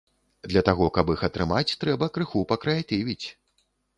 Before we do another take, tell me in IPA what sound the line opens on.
d̪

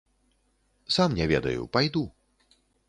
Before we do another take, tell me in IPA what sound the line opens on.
s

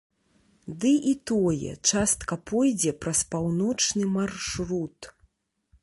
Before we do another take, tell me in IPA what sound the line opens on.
d̪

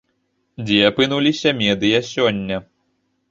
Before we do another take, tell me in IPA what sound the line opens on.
d͡zʲ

